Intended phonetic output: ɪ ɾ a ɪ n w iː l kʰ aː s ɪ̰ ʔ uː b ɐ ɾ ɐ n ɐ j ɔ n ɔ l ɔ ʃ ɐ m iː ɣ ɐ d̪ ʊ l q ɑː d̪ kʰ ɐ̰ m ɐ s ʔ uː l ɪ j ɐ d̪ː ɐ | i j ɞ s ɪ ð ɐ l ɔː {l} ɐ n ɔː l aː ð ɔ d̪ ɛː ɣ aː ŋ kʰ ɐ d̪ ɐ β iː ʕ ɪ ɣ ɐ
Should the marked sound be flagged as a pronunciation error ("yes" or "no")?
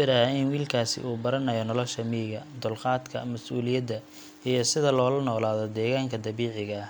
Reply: no